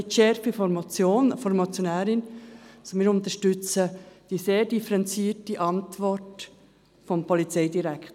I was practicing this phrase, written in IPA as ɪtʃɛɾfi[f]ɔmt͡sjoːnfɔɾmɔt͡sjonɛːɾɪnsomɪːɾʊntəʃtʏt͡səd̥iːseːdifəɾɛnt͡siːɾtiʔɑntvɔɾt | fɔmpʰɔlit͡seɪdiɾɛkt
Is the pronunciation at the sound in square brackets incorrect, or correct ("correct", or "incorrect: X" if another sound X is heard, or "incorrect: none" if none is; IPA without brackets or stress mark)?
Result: correct